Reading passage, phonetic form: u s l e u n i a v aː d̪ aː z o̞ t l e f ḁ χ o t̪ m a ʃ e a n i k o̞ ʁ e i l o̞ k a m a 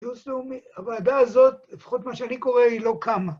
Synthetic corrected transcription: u s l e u m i a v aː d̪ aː z o̞ t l e f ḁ χ o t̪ m a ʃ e a n i k o̞ ʁ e i l o̞ k a m a